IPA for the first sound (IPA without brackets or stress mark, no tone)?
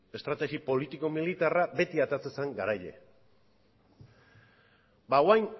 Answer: e̞